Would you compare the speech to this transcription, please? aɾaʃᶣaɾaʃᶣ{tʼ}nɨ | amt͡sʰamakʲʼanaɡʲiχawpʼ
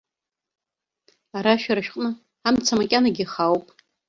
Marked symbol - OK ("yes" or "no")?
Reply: no